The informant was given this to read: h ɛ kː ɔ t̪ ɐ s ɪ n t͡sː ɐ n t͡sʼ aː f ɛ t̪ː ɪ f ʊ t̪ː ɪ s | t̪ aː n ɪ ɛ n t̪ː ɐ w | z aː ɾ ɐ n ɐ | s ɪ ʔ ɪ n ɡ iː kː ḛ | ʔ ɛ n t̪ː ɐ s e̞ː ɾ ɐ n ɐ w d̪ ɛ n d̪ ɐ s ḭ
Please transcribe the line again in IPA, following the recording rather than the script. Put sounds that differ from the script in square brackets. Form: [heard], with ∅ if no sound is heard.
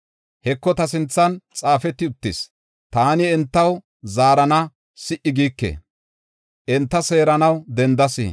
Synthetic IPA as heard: h ɛ kː ɔ t̪ ɐ s ɪ n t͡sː ɐ n t͡sʼ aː f ɛ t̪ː ɪ [∅] ʊ t̪ː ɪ s | t̪ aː n ɪ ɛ n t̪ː ɐ w | z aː ɾ ɐ n ɐ | s ɪ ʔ ɪ [∅] ɡ iː kː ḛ | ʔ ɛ n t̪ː ɐ s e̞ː ɾ ɐ n ɐ w d̪ ɛ n d̪ ɐ s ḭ